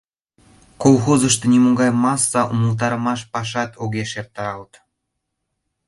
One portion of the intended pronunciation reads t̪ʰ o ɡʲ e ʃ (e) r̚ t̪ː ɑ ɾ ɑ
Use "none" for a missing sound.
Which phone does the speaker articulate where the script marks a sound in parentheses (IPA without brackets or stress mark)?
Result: e